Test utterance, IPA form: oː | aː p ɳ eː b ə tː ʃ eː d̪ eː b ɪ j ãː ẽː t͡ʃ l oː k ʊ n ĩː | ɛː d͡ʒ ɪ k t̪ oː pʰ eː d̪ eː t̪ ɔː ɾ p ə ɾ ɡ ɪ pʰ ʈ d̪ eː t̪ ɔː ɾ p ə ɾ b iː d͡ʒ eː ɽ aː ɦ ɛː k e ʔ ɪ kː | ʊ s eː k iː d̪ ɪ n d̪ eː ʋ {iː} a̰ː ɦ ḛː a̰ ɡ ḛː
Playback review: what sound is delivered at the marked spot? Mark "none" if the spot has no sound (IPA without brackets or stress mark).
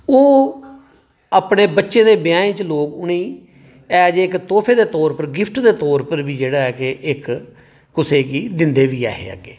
iː